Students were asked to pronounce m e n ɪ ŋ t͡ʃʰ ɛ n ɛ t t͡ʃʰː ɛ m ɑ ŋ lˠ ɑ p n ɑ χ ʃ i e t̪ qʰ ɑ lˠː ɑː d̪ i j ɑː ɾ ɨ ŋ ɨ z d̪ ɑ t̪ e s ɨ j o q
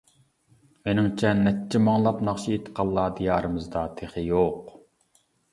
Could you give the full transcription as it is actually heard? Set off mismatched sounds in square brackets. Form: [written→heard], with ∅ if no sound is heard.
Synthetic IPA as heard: m e n ɪ ŋ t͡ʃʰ ɛ n ɛ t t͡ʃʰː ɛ m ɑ ŋ lˠ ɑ p n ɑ χ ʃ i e t̪ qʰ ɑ lˠː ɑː d̪ i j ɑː ɾ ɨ [ŋ→m] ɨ z d̪ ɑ [t̪→t̪ʰ] e [s→χ] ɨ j o q